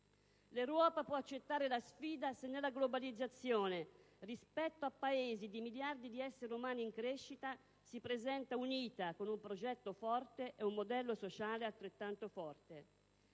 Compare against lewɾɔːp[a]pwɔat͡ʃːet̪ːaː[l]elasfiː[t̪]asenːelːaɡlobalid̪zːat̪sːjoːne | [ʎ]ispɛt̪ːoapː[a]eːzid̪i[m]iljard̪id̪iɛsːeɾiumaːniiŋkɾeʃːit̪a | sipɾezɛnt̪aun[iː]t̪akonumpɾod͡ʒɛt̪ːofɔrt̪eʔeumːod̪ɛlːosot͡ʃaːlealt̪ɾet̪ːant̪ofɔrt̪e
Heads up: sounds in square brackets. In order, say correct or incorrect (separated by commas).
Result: correct, incorrect, incorrect, incorrect, correct, correct, correct